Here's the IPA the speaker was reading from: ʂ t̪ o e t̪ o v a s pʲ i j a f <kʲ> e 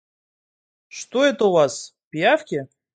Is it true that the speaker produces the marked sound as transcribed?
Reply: yes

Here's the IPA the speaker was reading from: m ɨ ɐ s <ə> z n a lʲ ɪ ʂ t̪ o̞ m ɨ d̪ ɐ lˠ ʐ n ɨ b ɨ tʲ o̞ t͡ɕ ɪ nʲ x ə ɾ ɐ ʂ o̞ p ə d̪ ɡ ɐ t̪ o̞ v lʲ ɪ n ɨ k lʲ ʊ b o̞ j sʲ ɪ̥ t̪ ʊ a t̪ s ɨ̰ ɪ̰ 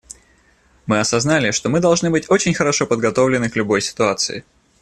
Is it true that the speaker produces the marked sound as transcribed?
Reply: no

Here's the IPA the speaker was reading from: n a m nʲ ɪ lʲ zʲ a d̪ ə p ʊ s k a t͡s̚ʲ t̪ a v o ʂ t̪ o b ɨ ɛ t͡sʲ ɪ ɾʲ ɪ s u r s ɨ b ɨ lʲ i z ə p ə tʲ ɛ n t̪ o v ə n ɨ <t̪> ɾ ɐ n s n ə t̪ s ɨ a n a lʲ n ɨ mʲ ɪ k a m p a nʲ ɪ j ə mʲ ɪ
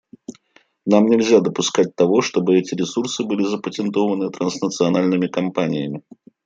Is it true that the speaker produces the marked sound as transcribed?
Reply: yes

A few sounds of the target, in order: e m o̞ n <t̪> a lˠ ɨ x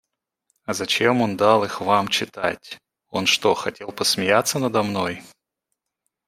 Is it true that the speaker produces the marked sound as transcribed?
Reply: no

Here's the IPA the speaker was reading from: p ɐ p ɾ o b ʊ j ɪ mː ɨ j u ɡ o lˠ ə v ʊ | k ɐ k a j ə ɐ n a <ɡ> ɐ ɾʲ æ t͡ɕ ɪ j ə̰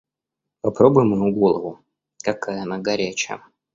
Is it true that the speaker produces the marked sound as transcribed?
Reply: yes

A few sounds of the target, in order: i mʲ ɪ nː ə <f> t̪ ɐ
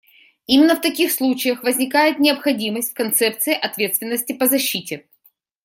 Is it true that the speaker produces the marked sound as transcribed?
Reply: yes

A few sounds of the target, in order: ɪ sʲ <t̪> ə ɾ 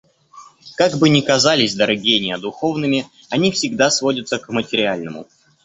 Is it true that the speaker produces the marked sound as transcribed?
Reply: no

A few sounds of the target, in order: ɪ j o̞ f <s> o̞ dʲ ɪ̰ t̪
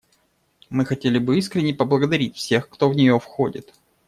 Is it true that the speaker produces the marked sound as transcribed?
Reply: no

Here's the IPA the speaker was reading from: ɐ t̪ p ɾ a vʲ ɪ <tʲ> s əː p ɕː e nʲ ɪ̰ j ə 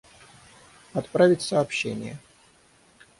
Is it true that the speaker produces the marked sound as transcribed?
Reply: yes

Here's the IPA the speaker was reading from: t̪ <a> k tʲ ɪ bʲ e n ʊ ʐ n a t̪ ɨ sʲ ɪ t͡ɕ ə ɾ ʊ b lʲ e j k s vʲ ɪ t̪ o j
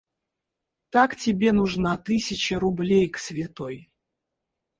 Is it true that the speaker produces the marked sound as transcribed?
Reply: yes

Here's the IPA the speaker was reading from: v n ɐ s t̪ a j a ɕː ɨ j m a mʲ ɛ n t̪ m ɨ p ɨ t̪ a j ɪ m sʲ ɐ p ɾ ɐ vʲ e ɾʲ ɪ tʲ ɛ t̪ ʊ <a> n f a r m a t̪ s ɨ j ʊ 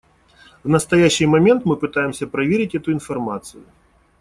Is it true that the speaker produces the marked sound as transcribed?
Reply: no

